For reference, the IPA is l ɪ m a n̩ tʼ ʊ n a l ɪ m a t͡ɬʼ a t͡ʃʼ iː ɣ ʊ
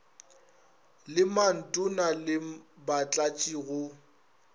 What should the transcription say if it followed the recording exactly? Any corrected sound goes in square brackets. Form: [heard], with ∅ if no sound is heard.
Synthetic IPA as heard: l ɪ m a n̩ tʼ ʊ n a l ɪ [b] a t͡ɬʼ a t͡ʃʼ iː ɣ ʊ